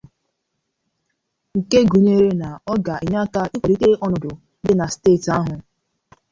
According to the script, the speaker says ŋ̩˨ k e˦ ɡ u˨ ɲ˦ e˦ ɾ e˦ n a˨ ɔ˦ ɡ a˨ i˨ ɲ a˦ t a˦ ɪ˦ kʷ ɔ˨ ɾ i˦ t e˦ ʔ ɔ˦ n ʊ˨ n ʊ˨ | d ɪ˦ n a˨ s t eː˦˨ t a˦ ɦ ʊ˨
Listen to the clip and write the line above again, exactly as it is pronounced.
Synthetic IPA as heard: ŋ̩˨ k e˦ ɡ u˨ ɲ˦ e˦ ɾ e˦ n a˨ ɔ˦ ɡ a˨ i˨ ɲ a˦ k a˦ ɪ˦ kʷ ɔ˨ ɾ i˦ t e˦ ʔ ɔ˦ n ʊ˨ d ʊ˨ | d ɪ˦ n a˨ s t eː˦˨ t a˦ ɦ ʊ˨